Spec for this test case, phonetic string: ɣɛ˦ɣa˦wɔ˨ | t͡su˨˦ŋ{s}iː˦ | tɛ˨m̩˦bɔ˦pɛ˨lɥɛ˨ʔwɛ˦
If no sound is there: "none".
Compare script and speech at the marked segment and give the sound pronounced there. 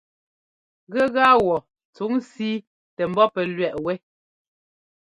s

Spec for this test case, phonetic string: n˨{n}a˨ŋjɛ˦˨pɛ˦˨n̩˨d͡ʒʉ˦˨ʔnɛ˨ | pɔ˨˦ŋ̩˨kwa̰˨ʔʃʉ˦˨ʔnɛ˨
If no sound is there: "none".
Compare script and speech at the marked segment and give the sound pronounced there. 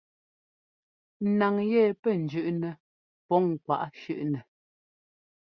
n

